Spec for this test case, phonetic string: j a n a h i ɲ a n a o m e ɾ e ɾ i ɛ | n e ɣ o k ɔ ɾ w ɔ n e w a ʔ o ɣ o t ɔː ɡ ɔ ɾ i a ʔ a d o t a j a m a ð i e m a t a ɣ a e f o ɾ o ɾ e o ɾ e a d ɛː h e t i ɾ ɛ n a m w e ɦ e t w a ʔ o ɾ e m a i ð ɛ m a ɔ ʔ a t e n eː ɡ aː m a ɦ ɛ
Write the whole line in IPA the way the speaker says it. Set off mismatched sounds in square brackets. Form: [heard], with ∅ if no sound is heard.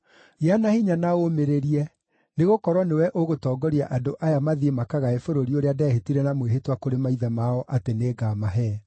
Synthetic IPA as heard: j a n a h i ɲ a n a o m e ɾ e ɾ i ɛ | n e ɣ o k ɔ ɾ w ɔ n e w [ɛ] ʔ o ɣ o t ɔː ɡ ɔ ɾ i a ʔ a d o [ʔ] a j a m a ð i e m a [k] a ɣ a e f o ɾ o ɾ [i] o ɾ e a d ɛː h e t i ɾ ɛ n a m w e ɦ e t w a [k] o ɾ e m a i ð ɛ m a ɔ ʔ a t e n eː ɡ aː m a ɦ ɛ